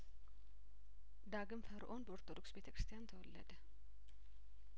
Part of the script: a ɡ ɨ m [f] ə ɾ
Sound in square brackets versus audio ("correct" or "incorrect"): correct